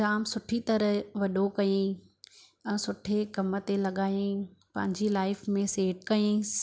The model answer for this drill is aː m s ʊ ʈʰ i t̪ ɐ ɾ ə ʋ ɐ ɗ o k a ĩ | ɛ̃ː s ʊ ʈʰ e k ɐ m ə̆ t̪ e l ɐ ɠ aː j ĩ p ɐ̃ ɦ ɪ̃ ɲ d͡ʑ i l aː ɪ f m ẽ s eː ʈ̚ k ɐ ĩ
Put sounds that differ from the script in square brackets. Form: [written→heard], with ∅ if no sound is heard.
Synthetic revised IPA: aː m s ʊ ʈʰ i t̪ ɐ ɾ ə ʋ ɐ ɗ o k [a→ɐ] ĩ | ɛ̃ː s ʊ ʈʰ e k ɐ m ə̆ t̪ e l ɐ ɠ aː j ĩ p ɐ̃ ɦ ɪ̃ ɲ d͡ʑ i l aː ɪ f m ẽ s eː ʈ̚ k ɐ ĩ